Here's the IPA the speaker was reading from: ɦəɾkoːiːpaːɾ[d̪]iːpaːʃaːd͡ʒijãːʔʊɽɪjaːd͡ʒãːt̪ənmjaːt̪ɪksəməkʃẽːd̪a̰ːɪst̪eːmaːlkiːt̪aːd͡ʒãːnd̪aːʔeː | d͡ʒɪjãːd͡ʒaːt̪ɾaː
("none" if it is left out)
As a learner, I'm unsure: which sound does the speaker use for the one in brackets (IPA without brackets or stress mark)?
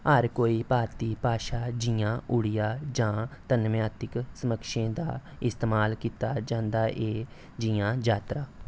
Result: t̪